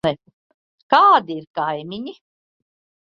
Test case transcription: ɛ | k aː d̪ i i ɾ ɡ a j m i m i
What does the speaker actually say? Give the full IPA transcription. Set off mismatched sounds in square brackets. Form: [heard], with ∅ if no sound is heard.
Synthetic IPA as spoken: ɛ | k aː d̪ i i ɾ [k] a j m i [ɲ] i